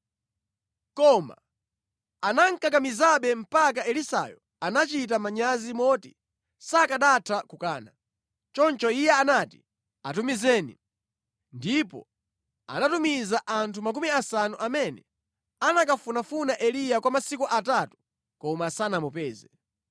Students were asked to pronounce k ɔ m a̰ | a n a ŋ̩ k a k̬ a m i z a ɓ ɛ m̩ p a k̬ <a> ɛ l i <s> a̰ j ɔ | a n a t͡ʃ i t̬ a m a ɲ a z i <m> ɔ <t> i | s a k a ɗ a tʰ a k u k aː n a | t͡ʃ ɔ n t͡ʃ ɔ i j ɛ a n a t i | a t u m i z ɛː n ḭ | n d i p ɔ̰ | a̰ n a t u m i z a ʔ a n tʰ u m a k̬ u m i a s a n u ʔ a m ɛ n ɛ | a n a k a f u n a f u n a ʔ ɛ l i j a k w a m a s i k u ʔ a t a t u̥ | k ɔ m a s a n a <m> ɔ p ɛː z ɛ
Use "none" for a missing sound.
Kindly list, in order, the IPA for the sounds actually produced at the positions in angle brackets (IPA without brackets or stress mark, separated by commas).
a, s, m, t, m